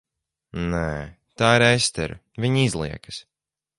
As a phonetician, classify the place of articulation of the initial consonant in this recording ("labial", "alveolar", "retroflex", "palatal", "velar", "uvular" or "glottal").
alveolar